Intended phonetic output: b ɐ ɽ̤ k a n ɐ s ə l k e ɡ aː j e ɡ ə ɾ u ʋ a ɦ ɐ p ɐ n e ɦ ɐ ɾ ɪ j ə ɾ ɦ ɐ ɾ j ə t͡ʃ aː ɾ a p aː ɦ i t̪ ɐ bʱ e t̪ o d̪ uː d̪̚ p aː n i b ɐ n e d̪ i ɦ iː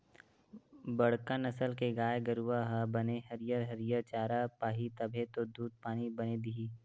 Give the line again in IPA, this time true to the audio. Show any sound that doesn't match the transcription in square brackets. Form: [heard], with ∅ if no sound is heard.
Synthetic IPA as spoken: b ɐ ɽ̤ k a n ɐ s ə l k e ɡ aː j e ɡ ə ɾ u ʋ a ɦ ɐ [b] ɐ n e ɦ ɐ ɾ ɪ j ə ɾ ɦ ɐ ɾ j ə t͡ʃ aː ɾ a p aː ɦ i t̪ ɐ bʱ e t̪ o d̪ uː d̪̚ p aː n i b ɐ n e d̪ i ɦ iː